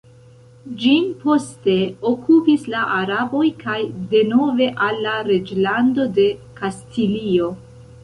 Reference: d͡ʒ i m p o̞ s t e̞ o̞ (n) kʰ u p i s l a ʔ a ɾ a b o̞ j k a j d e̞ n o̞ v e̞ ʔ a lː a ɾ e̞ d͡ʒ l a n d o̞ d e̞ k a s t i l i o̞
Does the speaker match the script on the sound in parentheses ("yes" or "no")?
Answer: no